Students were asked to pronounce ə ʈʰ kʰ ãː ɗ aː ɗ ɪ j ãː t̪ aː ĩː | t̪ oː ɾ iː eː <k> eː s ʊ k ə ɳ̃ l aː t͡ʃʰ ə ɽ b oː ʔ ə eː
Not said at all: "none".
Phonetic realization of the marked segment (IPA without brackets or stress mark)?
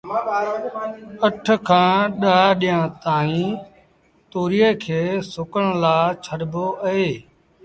kʰ